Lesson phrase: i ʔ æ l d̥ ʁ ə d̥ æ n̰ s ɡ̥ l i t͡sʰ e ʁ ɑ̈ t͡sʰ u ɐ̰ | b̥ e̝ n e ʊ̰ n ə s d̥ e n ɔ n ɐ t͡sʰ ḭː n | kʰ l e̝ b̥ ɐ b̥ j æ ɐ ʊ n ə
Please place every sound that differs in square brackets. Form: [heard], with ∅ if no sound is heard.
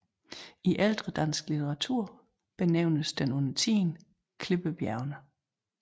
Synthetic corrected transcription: i ʔ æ l d̥ ʁ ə d̥ æ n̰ s ɡ̥ l i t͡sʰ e ʁ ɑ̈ t͡sʰ u ɐ̰ | b̥ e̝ n e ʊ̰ n ə s d̥ e n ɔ n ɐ t͡sʰ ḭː n | kʰ l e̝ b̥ [ə] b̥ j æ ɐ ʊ n ə